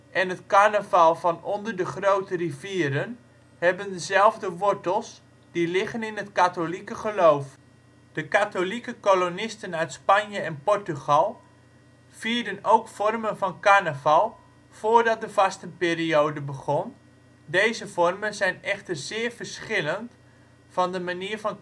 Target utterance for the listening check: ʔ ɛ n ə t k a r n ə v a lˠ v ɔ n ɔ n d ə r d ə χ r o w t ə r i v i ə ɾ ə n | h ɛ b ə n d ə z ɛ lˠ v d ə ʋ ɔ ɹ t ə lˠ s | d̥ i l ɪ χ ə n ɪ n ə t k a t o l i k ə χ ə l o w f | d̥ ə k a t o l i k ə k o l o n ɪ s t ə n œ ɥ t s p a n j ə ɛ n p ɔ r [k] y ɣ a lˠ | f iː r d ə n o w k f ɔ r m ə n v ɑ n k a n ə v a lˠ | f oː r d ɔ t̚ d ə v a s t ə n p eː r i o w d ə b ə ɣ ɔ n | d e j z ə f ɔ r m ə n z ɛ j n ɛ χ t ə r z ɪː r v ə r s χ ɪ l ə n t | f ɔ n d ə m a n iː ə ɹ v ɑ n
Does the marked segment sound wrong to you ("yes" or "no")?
yes